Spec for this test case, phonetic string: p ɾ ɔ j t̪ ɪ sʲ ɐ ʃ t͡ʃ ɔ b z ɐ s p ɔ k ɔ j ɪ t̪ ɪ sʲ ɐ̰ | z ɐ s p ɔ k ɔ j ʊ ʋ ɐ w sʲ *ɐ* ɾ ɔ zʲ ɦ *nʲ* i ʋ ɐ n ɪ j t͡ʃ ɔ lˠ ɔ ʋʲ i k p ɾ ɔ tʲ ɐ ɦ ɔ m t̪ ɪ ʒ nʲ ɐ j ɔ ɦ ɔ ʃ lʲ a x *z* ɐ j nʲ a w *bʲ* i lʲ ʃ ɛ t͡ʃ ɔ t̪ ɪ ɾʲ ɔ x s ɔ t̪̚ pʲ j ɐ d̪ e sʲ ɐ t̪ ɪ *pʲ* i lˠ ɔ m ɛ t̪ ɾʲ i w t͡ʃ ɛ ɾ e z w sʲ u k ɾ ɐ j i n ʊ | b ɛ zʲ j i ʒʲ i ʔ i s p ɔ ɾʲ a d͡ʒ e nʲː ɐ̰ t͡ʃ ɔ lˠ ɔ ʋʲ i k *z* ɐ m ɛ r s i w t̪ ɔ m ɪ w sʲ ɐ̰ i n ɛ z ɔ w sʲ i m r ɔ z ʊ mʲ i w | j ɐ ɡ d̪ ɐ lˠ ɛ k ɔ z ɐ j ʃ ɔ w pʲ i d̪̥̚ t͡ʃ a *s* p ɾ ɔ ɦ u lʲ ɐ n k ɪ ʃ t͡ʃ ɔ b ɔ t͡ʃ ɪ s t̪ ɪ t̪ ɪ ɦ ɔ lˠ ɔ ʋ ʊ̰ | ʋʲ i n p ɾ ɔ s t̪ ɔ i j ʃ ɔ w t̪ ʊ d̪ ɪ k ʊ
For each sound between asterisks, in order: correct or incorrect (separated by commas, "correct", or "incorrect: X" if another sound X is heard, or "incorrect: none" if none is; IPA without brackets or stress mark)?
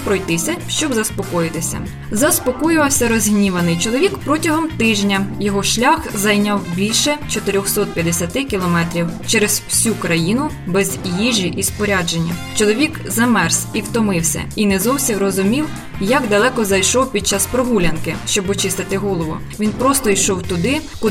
correct, correct, correct, correct, incorrect: kʲ, correct, correct